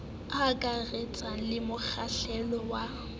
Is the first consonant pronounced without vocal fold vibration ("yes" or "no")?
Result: yes